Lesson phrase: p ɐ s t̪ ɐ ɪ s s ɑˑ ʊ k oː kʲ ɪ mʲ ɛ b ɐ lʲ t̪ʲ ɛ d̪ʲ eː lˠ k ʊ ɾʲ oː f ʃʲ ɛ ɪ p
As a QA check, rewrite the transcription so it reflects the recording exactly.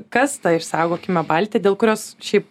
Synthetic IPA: k ɐ s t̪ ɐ ɪ ʃ s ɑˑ ʊ ɡ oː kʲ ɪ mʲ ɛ b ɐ lʲ t̪ʲ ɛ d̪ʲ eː lˠ k ʊ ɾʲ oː s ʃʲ ɛ ɪ p